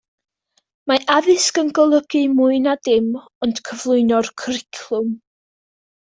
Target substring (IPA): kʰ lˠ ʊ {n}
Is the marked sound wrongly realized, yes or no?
yes